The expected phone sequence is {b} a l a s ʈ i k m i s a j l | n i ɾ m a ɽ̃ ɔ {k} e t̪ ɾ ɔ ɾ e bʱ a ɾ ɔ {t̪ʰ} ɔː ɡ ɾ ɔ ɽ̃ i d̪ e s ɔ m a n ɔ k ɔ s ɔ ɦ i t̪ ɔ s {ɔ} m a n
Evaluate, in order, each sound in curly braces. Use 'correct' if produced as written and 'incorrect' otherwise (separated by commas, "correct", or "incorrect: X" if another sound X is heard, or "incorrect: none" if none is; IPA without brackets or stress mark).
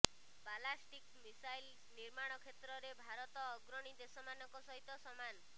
correct, incorrect: kʰ, incorrect: t̪, correct